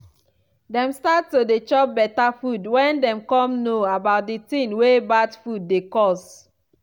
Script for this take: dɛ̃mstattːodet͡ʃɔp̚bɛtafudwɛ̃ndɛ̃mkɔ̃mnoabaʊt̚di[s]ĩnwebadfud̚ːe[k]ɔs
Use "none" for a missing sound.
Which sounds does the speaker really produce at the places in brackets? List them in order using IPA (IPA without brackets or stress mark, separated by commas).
t, k